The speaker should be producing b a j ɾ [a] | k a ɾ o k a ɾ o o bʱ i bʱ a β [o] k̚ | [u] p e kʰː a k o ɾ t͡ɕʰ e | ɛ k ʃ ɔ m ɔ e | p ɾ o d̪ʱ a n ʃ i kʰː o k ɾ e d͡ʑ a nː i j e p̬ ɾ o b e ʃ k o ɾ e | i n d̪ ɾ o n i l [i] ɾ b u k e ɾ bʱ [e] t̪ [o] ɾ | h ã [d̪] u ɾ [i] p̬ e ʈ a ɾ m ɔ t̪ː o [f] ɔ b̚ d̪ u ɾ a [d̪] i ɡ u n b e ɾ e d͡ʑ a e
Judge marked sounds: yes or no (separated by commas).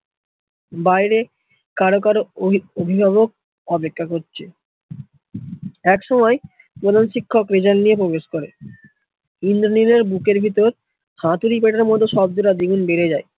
no, yes, no, no, no, yes, no, yes, no, yes